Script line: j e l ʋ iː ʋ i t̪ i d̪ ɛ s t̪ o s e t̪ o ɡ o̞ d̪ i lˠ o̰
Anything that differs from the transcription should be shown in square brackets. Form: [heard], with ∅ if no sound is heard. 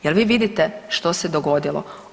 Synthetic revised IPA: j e l ʋ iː ʋ i [d̪] i [t̪] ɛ [ʃ] t̪ o s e [d̪] o ɡ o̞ d̪ i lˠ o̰